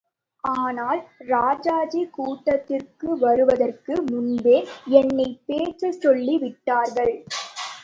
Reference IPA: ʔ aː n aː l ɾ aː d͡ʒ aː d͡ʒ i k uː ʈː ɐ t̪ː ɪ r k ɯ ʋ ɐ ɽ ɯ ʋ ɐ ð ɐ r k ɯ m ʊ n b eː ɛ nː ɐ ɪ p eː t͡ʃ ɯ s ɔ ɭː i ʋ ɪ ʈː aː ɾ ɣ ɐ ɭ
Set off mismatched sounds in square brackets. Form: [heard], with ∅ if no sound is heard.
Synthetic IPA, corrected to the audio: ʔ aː n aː l ɾ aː d͡ʒ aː d͡ʒ i k uː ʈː ɐ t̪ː ɪ r k ɯ ʋ ɐ [ɾ] ɯ ʋ ɐ ð ɐ r k ɯ m ʊ n b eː ɛ nː ɐ ɪ p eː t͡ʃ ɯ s ɔ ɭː i ʋ ɪ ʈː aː ɾ ɣ ɐ ɭ